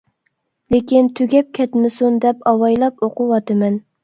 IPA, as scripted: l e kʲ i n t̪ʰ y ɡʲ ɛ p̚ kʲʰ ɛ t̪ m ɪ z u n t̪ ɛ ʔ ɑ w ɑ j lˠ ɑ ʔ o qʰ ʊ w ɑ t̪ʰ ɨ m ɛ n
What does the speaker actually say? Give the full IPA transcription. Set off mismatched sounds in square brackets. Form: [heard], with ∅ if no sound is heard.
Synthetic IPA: l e kʲ i n t̪ʰ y ɡʲ ɛ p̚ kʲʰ ɛ t̪ m ɪ [s] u n [d̪] ɛ [p] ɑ w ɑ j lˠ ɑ [p] o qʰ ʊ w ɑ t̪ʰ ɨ m ɛ n